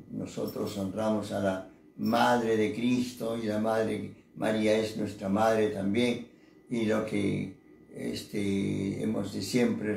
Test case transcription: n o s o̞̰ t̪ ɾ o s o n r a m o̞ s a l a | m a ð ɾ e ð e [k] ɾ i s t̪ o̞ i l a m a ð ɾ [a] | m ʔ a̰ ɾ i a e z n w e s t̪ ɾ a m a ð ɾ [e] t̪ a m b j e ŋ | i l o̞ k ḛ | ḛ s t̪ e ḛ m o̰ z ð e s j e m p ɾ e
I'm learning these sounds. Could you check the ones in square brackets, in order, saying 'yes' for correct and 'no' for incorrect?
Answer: yes, no, yes

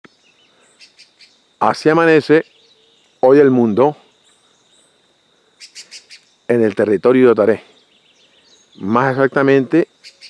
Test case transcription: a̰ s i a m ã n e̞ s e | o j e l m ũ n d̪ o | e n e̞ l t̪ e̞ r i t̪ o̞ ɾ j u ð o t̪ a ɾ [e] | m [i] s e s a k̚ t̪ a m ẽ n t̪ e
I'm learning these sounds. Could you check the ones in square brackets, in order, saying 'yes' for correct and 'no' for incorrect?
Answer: yes, no

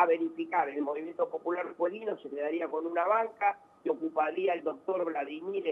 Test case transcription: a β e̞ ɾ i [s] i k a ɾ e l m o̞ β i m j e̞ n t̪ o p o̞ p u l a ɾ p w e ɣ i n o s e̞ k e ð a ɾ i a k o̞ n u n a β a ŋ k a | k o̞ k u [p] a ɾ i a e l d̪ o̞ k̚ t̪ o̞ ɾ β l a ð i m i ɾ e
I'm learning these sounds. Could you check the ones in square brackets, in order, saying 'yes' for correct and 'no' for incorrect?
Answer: no, yes

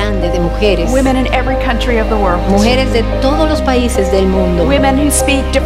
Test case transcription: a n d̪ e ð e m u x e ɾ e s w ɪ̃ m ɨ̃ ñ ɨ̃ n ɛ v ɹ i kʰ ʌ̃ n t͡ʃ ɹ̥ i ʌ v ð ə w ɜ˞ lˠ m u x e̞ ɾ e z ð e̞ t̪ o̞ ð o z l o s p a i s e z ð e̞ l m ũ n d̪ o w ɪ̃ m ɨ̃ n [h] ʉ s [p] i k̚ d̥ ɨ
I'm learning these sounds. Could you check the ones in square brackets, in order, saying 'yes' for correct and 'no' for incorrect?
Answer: yes, yes

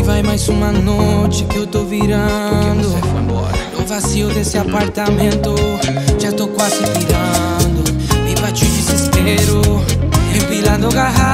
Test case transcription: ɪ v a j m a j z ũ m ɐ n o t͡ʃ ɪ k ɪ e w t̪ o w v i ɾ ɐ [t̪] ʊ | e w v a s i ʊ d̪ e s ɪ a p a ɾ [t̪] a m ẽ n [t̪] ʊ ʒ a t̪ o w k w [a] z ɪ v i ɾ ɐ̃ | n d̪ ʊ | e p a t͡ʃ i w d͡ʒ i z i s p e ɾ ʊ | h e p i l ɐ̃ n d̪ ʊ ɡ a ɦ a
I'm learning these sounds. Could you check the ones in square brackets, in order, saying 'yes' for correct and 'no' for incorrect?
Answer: no, yes, yes, yes

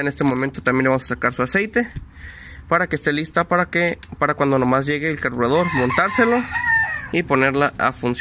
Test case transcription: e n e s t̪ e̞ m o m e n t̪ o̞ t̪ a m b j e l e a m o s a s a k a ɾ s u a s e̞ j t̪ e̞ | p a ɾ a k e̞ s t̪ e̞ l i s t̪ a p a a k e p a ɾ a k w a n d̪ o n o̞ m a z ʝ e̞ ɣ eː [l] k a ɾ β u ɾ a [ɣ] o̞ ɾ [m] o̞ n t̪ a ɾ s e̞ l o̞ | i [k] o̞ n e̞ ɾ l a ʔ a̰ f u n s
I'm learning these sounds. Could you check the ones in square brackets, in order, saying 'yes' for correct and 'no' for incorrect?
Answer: yes, no, yes, no

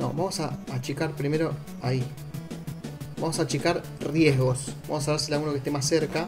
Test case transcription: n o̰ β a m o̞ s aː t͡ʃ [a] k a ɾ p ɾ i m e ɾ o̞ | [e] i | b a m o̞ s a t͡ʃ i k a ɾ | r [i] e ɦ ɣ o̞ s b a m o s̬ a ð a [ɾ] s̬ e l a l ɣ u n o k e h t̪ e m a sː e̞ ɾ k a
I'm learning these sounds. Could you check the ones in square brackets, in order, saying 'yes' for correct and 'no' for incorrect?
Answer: no, no, no, yes

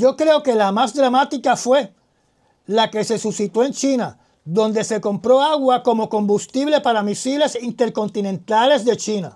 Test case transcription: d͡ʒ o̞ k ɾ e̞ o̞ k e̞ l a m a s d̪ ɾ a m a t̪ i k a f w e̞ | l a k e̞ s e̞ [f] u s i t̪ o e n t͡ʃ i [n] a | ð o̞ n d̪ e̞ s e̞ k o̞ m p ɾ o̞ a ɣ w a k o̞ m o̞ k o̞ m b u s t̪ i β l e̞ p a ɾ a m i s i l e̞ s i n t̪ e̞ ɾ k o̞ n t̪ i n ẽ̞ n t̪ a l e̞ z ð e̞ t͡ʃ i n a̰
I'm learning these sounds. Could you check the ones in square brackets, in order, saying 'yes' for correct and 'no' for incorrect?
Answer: no, yes

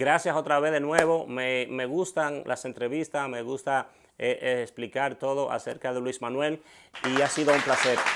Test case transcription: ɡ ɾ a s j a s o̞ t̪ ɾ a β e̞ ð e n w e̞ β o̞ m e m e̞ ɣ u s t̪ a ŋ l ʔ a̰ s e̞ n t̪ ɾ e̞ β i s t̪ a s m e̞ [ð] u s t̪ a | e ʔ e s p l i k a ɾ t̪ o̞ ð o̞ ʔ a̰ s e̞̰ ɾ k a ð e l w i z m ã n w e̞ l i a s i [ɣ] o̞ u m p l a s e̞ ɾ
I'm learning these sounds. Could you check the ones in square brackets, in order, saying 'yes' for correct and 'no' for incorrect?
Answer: no, no

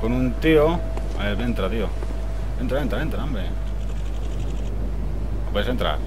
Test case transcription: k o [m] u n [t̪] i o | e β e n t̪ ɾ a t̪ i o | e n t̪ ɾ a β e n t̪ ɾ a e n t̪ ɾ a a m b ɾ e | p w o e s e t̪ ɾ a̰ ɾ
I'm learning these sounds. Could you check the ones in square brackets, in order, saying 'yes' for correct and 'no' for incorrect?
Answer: no, yes

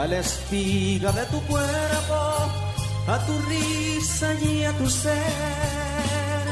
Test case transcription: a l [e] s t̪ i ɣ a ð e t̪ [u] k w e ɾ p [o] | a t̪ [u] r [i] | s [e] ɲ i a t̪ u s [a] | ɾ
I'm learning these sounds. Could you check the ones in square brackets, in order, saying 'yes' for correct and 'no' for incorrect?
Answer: yes, yes, yes, yes, yes, no, no

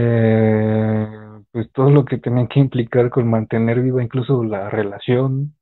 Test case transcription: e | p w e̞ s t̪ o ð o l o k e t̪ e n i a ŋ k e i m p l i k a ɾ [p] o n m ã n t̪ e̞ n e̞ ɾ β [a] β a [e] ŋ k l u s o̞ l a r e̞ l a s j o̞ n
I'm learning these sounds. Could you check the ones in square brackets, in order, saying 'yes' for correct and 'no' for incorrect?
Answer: no, no, no

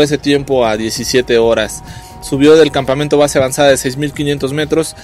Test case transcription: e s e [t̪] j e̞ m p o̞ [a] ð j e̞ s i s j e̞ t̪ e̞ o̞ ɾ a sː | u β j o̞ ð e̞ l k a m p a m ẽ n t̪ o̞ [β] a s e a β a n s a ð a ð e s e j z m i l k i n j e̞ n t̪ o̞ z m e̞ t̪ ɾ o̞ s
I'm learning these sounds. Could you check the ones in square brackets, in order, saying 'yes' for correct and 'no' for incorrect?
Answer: yes, yes, yes

